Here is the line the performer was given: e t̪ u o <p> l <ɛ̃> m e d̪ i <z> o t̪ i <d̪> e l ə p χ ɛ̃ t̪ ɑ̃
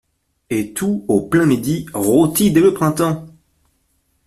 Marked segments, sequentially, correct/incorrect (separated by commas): correct, correct, incorrect, correct